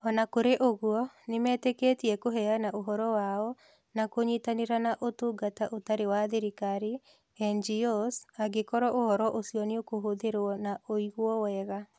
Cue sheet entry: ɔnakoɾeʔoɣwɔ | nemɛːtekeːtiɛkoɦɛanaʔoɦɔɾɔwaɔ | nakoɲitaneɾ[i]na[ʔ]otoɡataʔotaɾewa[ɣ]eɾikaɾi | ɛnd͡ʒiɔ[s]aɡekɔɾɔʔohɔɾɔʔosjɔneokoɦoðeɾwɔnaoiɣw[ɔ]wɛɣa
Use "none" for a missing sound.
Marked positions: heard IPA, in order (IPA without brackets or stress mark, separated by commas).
a, ʔ, ð, s, ɔ